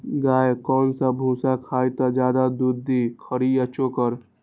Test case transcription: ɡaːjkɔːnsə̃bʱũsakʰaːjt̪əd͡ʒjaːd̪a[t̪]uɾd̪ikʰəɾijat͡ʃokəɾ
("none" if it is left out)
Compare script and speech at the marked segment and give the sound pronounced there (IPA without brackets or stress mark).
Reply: d̪